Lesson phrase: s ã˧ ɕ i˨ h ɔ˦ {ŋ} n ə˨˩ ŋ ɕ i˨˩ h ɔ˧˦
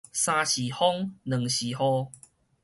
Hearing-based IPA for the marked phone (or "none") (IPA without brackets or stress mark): ŋ